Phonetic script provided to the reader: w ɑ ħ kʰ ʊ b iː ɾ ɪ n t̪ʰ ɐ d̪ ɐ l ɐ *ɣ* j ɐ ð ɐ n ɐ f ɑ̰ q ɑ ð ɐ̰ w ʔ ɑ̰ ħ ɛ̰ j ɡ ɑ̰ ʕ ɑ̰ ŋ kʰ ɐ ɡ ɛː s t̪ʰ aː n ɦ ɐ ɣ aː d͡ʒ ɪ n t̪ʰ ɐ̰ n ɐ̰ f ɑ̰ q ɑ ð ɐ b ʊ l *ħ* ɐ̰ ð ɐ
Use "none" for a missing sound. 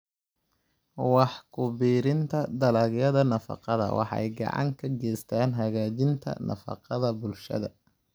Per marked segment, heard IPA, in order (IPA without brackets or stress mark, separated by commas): ɣ, ʃ